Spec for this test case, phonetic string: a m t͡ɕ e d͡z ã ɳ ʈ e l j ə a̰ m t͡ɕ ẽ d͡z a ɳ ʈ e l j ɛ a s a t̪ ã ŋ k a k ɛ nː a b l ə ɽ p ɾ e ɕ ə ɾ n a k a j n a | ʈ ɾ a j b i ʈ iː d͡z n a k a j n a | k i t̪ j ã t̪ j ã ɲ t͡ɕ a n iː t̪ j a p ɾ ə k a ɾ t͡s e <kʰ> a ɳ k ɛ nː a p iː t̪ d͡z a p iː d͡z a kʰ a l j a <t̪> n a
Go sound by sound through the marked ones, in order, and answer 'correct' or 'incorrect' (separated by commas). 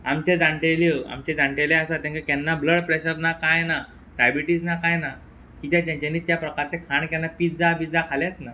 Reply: correct, correct